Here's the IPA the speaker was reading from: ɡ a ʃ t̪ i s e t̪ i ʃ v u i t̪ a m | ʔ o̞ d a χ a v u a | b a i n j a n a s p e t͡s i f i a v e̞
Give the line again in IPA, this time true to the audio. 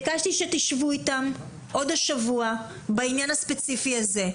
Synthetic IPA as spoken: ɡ a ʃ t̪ i ʃ e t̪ i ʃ v u i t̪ a m | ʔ o̞ d a ʃ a v u a | b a i n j a n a s p e t͡s i f i a z e̞